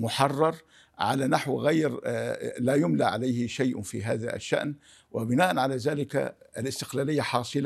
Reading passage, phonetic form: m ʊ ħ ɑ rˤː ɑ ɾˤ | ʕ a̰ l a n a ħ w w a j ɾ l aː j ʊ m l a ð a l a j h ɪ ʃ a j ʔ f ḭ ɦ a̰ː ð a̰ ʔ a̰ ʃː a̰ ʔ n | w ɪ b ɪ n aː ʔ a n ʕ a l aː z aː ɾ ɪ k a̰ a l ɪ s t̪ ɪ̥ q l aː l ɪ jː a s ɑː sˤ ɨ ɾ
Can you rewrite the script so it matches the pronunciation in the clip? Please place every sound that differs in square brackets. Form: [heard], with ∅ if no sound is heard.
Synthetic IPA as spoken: m ʊ ħ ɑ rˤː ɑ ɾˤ | ʕ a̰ l a n a ħ w [ɣ] a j ɾ l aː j ʊ m l a [ʕ] a l a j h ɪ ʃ a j ʔ f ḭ ɦ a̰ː ð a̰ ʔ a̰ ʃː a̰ ʔ n | w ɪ b ɪ n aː ʔ a n ʕ a l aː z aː [l] ɪ k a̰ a l ɪ s t̪ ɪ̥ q l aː l ɪ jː a [ħ] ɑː sˤ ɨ [l]